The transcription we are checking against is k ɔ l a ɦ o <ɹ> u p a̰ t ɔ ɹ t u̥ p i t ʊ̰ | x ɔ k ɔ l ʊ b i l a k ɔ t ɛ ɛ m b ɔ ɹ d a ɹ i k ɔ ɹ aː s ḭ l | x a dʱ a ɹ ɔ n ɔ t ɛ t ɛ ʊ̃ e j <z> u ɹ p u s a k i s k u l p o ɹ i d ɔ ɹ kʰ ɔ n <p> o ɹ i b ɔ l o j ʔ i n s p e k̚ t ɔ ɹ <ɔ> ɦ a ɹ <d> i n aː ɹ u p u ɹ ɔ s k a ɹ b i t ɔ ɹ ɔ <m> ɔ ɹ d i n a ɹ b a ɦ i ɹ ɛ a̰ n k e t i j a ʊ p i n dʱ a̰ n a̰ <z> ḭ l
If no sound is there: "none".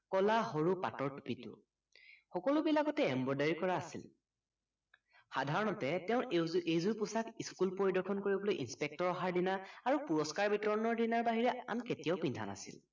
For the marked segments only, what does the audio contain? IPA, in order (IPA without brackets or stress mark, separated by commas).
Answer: ɹ, z, k, ɔ, d, n, s